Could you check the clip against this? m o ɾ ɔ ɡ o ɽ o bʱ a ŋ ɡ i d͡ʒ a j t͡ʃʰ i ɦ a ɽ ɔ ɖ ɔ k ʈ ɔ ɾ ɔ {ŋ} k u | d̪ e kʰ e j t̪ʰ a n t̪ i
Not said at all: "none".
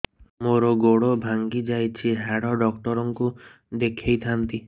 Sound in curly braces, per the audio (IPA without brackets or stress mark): ŋ